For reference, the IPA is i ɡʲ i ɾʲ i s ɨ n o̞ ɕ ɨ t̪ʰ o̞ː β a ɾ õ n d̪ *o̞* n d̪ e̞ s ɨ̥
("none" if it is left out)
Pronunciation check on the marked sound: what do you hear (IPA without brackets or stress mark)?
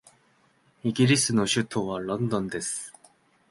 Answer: õ̞